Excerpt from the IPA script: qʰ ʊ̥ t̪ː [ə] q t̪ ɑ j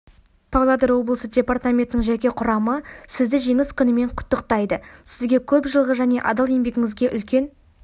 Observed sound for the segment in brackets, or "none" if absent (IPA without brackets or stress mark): ə